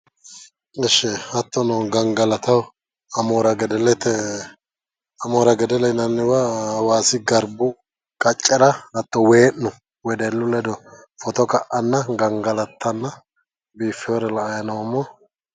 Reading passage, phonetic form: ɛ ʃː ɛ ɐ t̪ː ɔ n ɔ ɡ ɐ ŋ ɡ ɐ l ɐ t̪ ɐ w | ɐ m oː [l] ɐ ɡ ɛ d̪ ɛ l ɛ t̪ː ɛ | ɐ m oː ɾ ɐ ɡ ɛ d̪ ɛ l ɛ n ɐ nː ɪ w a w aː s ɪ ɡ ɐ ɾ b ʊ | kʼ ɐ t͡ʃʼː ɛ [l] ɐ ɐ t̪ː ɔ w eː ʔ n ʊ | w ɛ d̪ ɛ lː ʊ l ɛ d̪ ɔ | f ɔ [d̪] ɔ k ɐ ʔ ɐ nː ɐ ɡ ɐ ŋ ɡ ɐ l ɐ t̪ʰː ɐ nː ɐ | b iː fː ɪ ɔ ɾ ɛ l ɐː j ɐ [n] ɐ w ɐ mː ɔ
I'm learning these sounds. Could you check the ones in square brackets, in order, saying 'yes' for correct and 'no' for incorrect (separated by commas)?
no, no, no, yes